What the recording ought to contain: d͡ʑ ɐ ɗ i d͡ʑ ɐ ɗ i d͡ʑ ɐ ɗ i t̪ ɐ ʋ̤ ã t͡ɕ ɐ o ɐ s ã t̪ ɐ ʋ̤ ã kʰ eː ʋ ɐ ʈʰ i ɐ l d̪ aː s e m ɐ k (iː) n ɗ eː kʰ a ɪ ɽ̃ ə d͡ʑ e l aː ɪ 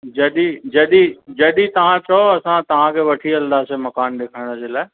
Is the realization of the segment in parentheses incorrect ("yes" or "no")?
yes